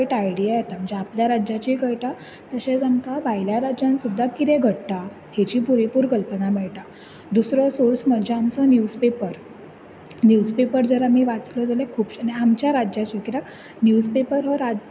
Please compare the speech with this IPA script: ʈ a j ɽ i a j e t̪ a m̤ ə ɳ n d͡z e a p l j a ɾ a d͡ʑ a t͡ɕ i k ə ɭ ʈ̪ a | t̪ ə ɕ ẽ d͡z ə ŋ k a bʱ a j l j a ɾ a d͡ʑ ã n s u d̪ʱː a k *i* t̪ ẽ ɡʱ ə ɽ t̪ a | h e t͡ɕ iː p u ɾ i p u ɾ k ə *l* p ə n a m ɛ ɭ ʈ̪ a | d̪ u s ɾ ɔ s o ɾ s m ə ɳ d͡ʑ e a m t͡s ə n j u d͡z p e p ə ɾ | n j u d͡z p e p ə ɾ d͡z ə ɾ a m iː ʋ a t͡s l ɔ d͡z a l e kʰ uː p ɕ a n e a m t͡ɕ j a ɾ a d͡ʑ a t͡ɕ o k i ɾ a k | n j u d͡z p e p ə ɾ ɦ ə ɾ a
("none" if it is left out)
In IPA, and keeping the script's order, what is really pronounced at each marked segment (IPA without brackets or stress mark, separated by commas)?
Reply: i, l